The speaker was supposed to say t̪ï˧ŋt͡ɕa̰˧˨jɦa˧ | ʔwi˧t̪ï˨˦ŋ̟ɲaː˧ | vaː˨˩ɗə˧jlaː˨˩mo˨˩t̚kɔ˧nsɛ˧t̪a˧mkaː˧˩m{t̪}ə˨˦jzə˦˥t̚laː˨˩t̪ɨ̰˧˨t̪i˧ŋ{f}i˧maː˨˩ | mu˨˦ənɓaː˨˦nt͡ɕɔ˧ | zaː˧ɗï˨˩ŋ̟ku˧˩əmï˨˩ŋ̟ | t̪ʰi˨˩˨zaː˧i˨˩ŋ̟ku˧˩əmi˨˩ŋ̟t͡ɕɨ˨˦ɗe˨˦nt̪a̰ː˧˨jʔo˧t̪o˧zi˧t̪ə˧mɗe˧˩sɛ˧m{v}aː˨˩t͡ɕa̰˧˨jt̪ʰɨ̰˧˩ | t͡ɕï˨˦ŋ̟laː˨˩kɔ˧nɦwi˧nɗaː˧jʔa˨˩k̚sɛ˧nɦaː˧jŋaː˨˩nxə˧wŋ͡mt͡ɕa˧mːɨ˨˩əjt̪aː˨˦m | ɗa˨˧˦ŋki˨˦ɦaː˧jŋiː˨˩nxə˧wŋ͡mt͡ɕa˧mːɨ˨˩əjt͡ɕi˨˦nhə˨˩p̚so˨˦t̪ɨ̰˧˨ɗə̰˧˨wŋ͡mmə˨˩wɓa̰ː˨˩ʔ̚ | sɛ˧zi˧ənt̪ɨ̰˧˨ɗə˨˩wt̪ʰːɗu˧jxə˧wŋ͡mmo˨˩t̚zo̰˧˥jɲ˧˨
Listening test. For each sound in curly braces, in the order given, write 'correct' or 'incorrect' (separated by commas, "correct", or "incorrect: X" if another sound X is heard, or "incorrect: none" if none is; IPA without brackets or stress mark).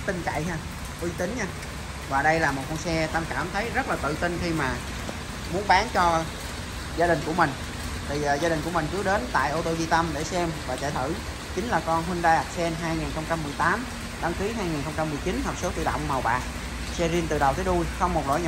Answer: incorrect: t̪ʰ, incorrect: x, correct